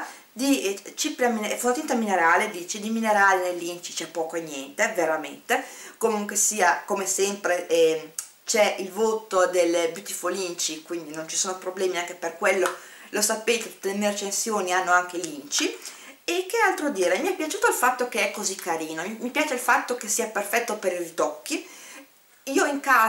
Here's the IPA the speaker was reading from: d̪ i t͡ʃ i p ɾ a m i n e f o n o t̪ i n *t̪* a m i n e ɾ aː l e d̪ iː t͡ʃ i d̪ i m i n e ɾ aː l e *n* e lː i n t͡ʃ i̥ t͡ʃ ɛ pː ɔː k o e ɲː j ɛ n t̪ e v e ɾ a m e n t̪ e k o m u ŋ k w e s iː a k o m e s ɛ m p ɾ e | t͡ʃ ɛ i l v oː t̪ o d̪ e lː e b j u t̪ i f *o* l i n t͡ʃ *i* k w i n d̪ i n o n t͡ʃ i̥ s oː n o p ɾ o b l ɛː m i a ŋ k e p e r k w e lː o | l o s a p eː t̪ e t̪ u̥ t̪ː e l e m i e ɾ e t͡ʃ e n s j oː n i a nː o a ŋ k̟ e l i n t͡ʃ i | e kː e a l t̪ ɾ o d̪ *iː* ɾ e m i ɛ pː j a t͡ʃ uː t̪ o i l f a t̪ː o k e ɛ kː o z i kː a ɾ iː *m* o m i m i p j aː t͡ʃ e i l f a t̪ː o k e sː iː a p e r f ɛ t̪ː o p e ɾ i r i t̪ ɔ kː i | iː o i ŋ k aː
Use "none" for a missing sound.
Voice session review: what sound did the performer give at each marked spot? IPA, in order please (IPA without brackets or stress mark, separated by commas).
t̪, n, o, i, iː, n